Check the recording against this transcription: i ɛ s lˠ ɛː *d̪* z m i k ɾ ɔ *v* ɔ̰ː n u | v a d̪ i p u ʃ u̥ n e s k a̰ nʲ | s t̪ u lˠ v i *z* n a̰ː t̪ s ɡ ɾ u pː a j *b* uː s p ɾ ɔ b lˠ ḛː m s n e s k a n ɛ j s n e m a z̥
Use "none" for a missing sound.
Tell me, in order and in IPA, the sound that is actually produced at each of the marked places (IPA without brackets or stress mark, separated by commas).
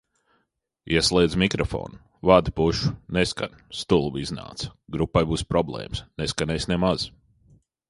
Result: d̪, f, z, b